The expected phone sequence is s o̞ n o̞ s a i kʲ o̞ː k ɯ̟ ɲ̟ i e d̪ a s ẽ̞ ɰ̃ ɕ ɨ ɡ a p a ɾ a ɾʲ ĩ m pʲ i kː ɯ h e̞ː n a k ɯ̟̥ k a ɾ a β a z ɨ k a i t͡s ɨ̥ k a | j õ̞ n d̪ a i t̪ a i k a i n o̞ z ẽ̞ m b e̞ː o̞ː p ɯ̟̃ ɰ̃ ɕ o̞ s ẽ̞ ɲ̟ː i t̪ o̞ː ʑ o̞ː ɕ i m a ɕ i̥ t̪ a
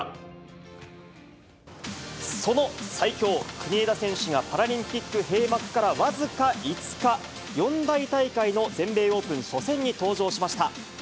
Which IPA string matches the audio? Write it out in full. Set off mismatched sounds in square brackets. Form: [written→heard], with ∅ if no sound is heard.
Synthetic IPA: s o̞ n o̞ s a i kʲ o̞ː k ɯ̟ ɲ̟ i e d̪ a s ẽ̞ ɰ̃ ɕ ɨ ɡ a p a ɾ a ɾʲ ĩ m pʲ i kː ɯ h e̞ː [n→m] a k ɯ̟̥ k a ɾ a β a z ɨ k a i t͡s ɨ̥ k a | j õ̞ n d̪ a i t̪ a i k a i n o̞ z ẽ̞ m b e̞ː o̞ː p ɯ̟̃ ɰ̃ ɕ o̞ s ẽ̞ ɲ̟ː i t̪ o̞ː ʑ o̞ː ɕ i m a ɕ i̥ t̪ a